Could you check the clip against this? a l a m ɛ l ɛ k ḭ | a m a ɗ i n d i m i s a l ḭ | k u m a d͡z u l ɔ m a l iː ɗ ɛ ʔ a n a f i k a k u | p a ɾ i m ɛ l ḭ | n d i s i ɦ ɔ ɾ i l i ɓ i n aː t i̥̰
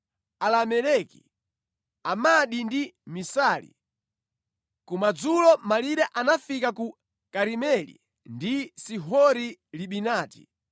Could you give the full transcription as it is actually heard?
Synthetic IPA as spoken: a l a m ɛ l ɛ k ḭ | a m a ɗ i n d i m i s a l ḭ | k u m a d͡z u l ɔ m a l i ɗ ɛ ʔ a n a f i k a k u | k a ɾ i m ɛ l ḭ | n d i s i ɦ ɔ ɾ i l i ɓ i n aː t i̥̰